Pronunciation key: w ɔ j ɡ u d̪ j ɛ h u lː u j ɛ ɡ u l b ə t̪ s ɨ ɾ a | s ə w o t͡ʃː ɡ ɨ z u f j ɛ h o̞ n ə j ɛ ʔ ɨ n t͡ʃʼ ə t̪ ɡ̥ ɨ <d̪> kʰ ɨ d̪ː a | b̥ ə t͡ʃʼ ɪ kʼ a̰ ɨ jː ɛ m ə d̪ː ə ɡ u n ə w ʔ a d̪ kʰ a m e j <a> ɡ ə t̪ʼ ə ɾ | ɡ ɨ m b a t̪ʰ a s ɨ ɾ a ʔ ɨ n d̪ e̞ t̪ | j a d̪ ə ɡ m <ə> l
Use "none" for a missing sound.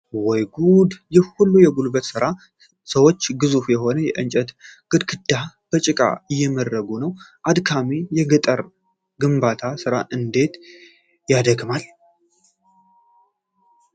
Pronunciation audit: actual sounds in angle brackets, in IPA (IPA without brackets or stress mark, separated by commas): d̪, ɛ, a